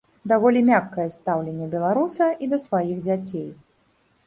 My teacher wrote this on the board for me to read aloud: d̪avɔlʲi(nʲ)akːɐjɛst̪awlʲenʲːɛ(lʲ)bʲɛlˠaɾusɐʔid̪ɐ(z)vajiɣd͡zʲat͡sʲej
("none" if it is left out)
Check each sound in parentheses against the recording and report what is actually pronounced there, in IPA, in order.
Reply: mʲ, none, s

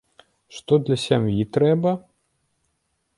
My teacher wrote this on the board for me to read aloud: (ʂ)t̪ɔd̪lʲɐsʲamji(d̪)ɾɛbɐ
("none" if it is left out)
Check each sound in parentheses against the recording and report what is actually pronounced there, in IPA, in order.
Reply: ʂ, t̪

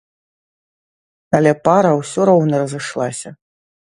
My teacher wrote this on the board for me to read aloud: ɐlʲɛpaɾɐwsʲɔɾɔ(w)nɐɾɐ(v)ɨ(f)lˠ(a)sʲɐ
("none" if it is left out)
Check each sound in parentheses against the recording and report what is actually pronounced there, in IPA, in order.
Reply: w, z, ʂ, a

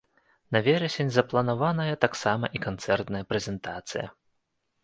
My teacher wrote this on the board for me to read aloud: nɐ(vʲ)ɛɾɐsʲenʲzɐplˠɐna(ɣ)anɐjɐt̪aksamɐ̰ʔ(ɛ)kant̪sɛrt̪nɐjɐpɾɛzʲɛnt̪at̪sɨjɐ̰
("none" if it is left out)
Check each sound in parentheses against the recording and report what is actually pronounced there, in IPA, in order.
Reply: vʲ, v, i

